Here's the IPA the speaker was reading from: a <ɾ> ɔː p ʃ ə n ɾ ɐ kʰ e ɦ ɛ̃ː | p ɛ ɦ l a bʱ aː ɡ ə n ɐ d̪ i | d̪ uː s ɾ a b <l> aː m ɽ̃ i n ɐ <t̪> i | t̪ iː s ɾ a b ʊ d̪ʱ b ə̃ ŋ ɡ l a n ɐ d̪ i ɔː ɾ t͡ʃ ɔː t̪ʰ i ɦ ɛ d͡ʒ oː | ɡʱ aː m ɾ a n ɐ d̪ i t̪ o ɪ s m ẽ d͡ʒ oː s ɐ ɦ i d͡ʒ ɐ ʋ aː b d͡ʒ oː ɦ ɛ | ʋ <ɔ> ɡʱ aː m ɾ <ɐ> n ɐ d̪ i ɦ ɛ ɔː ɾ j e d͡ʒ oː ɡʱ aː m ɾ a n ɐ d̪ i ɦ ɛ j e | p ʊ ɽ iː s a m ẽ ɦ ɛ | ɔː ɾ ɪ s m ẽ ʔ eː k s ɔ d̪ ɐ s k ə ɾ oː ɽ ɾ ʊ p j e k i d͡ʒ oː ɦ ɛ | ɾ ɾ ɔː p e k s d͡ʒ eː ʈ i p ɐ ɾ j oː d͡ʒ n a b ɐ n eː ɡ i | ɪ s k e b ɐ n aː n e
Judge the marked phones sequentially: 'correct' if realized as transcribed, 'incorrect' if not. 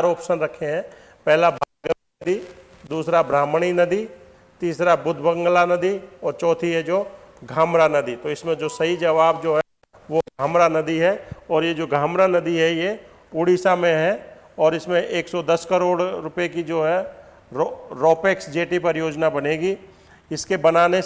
correct, incorrect, incorrect, incorrect, incorrect

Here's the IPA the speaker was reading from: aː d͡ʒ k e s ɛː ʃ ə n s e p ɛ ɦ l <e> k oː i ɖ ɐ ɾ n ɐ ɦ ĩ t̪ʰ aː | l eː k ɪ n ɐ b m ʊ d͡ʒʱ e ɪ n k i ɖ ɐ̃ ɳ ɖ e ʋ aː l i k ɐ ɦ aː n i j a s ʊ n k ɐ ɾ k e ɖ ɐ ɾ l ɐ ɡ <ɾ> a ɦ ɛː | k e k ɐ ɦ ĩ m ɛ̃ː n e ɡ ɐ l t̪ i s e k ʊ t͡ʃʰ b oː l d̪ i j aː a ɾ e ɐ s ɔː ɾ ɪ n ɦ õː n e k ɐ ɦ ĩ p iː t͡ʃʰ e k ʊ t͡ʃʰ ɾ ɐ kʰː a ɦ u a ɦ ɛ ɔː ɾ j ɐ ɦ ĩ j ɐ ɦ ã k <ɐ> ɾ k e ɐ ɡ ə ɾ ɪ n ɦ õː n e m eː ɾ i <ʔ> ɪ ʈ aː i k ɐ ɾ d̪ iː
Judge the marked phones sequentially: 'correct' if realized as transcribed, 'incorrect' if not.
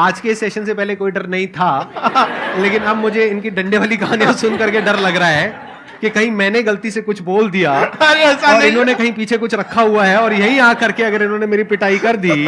correct, correct, correct, incorrect

